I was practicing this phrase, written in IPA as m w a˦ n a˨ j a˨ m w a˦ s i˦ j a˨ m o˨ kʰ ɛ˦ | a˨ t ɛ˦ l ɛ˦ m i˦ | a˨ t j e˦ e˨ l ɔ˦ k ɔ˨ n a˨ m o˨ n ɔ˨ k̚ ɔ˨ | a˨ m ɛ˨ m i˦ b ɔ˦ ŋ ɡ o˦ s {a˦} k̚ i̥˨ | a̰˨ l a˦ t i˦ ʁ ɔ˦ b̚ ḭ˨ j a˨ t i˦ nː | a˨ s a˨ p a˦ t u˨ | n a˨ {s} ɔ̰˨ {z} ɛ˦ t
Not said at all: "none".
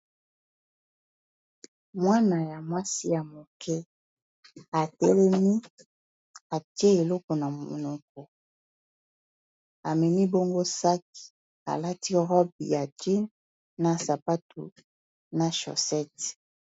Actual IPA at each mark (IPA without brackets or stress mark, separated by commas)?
a˦, ʃ, s